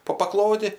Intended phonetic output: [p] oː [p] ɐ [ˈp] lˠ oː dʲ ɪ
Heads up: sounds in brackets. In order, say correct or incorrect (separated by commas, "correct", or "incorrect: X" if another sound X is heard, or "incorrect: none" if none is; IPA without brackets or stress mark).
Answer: correct, correct, incorrect: k